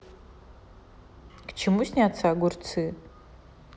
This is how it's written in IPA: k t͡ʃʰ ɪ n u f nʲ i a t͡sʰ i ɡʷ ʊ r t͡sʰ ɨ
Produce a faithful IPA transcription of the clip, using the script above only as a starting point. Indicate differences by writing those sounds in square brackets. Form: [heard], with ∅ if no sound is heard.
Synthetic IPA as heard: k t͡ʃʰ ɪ [m] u [s] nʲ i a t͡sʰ [a] ɡʷ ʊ r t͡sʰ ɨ

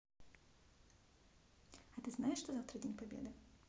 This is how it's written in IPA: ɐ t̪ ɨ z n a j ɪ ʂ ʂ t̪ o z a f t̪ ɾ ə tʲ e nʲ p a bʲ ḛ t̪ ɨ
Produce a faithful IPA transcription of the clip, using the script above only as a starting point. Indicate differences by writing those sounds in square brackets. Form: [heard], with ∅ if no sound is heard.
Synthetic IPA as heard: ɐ t̪ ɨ z n a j ɪ ʂ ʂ t̪ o z a f t̪ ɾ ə [dʲ] e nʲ p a bʲ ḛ [d̪] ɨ

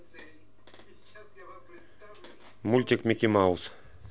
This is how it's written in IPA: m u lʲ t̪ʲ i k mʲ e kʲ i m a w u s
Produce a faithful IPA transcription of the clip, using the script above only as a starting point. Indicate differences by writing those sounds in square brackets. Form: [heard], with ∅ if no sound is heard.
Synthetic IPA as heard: m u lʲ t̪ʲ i k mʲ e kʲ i m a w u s

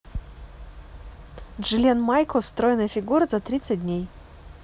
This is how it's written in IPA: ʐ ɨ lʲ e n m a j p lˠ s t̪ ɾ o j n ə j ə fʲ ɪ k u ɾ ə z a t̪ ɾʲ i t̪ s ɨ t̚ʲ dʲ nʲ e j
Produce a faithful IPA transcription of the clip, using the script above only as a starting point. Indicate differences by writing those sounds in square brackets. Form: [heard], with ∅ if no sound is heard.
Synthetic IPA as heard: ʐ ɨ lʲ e n m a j [k] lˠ s t̪ ɾ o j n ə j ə fʲ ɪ [ɡ] u ɾ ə z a t̪ ɾʲ i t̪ s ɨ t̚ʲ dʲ nʲ e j

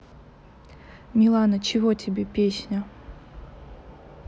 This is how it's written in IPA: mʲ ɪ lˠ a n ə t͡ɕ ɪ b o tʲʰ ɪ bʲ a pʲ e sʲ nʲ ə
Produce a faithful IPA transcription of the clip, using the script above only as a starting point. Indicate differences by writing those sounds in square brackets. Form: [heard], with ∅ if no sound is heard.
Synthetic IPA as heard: mʲ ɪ lˠ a n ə t͡ɕ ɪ [v] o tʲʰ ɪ bʲ [e] pʲ e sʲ nʲ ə

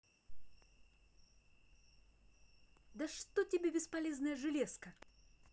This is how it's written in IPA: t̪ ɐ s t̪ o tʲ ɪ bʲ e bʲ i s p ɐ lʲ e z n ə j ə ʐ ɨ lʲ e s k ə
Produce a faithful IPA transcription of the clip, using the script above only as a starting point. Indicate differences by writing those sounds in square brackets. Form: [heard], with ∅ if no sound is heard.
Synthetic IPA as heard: [d̪] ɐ [ʂ] t̪ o tʲ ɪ bʲ e bʲ [ɪ] s p ɐ lʲ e z n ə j ə ʐ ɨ lʲ e s k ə

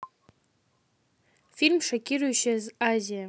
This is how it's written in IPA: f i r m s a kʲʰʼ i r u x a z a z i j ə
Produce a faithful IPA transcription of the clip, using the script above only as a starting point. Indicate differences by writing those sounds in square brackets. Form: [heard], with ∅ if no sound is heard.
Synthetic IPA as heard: f i [l] m [ʂ] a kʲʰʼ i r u [ʃ] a z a z i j [a]

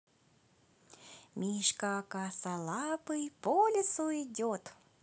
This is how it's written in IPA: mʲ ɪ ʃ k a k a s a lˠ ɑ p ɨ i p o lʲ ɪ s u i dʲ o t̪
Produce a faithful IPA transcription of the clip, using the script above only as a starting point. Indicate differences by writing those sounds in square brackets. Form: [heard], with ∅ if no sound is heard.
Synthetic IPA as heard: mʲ [i] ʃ k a k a s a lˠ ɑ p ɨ [j] p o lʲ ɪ s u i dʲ o t̪

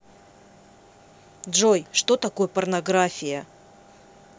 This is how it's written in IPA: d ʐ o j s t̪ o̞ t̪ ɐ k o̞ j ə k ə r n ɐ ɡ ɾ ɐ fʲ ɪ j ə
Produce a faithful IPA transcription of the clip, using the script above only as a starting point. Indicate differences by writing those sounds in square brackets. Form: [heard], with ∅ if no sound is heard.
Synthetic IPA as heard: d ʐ o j [ʂ] t̪ o̞ t̪ ɐ k o̞ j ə [p] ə r n ɐ ɡ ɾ [a] fʲ ɪ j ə

